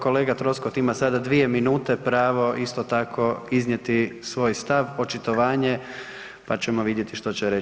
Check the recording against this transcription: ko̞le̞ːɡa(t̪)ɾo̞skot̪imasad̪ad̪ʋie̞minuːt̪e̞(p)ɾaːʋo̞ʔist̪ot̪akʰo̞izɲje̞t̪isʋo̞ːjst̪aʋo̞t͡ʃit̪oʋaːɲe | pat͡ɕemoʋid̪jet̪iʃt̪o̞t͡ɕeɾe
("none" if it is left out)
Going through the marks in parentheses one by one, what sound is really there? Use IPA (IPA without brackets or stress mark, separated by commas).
t̪, p